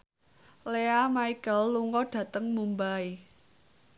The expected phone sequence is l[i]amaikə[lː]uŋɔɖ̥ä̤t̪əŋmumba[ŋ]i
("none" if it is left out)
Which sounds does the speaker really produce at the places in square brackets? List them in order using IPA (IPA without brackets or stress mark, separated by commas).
e, lː, none